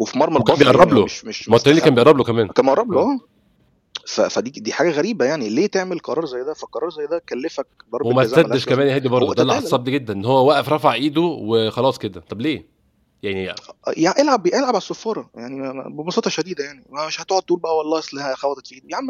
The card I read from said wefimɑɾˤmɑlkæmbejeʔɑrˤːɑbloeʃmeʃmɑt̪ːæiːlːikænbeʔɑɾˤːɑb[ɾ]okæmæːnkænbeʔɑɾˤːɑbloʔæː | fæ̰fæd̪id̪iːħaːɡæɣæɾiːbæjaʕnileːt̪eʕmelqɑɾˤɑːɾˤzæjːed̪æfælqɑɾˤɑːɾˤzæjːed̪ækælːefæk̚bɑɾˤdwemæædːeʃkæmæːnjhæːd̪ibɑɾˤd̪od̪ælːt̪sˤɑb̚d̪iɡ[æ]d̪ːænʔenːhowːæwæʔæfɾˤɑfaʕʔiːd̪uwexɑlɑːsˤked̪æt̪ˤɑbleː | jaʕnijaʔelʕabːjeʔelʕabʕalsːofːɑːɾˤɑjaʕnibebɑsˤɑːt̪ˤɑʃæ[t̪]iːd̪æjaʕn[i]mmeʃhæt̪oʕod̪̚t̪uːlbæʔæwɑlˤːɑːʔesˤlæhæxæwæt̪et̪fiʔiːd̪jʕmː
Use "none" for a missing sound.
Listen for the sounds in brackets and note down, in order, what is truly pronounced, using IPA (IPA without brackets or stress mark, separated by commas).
l, e, d̪, i